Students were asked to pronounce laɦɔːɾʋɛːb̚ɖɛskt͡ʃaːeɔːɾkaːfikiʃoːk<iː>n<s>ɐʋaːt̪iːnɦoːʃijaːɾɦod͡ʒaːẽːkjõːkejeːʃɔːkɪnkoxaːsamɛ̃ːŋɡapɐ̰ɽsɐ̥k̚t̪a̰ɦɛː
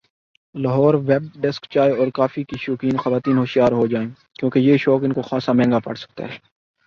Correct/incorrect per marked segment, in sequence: correct, incorrect

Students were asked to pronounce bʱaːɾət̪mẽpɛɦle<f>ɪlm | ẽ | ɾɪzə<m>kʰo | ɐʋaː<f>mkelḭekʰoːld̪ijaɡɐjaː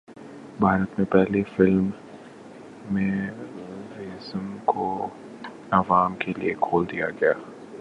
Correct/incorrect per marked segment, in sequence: correct, correct, incorrect

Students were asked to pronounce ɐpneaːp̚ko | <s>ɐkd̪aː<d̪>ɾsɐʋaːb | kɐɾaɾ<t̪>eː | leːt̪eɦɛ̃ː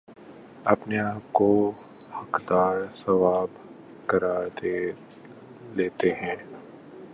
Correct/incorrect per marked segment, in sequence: incorrect, incorrect, incorrect

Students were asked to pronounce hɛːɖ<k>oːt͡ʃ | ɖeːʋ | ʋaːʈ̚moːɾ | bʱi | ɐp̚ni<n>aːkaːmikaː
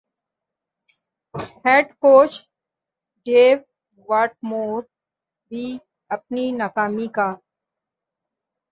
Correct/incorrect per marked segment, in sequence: correct, correct

